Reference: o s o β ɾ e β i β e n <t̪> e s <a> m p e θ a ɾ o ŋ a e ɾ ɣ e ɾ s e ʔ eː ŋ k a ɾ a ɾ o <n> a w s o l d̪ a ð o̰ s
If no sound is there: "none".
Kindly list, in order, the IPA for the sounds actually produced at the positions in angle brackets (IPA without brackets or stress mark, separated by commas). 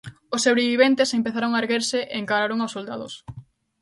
t̪, e, ŋ